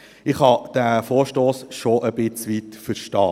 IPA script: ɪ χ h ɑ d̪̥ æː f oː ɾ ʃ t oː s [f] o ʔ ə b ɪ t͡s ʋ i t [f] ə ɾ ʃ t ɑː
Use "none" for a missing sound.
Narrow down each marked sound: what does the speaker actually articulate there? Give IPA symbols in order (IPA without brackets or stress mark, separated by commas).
ʃ, f